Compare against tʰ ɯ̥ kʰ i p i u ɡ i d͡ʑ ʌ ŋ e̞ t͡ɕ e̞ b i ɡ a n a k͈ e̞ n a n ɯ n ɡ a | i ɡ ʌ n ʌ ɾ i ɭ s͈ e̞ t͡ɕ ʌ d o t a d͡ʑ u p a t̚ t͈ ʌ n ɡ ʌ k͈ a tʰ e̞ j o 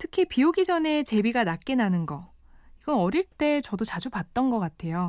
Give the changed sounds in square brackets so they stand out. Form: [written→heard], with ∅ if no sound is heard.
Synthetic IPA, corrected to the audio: tʰ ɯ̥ kʰ i p i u ɡ i d͡ʑ ʌ [ŋ→n] e̞ t͡ɕ e̞ b i ɡ a n a k͈ e̞ n a n ɯ n ɡ [a→ʌ] | i ɡ ʌ n ʌ ɾ i ɭ [s͈→t͈] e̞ t͡ɕ ʌ d o [t→t͡ɕ] a d͡ʑ u p a t̚ t͈ ʌ n ɡ ʌ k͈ a tʰ e̞ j o